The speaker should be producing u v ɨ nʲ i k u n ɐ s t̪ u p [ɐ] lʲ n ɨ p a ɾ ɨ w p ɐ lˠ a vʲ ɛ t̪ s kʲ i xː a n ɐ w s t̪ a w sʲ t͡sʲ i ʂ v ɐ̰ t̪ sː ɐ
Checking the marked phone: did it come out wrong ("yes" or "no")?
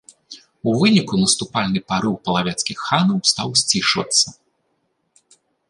yes